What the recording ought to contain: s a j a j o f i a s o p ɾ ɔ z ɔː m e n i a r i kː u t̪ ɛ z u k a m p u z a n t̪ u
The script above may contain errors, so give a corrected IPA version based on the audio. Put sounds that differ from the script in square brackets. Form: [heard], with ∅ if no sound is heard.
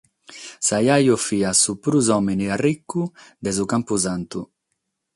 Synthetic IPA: s a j a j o f i a s [u] p ɾ [u] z [ɔ] m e n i a r i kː u [d̪] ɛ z u k a m p u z a n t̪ u